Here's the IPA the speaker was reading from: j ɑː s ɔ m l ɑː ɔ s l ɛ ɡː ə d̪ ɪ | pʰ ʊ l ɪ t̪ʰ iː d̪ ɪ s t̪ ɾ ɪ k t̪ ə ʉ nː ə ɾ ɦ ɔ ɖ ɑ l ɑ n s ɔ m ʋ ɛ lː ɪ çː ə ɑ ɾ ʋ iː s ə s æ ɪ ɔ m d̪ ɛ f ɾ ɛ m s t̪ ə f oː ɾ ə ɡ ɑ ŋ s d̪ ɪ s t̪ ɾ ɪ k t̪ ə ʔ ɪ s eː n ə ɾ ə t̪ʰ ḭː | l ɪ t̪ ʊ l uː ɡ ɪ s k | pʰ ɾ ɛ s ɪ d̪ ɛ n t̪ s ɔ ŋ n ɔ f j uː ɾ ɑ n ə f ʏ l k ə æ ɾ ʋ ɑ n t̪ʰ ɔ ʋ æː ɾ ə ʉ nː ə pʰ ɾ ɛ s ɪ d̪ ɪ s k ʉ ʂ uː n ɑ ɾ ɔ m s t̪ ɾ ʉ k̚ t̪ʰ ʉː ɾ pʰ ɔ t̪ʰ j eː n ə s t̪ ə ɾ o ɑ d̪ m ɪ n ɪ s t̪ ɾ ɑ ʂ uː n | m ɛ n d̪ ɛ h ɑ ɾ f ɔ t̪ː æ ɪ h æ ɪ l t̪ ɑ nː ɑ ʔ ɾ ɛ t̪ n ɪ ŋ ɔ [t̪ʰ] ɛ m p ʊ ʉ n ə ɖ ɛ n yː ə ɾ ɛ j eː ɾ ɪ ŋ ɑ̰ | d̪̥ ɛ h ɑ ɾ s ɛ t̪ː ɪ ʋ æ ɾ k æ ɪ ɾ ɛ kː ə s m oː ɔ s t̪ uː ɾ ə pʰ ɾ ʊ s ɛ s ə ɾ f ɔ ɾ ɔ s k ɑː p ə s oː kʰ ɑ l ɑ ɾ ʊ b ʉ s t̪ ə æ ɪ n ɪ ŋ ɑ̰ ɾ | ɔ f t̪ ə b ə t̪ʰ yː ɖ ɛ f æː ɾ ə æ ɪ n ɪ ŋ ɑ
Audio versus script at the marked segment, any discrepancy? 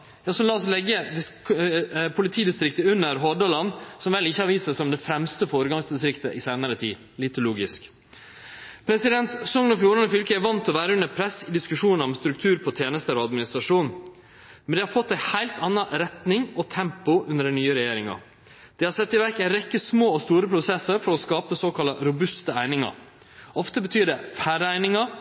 no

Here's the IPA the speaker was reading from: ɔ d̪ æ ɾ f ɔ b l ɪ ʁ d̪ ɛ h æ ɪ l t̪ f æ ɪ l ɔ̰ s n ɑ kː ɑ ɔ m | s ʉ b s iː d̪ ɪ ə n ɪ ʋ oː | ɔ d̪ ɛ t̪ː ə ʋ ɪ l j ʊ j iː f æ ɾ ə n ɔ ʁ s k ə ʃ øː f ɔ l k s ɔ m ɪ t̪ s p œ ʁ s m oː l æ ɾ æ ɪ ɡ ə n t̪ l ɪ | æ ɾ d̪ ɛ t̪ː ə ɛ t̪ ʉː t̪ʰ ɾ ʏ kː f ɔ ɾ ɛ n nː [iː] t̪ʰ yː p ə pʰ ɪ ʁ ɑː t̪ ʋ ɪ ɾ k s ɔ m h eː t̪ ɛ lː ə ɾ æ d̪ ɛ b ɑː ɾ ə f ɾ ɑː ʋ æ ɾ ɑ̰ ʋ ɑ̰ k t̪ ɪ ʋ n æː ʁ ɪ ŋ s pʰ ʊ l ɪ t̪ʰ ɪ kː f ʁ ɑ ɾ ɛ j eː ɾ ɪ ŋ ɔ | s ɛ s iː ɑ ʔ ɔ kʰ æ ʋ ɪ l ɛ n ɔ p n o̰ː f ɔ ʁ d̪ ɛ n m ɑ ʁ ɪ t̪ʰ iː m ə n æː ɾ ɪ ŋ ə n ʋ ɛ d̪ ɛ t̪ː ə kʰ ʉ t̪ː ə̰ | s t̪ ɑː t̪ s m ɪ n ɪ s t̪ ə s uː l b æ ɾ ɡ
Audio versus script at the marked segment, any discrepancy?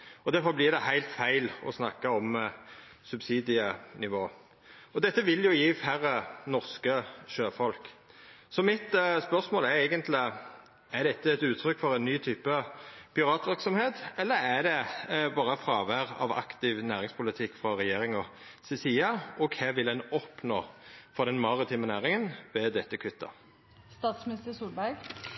yes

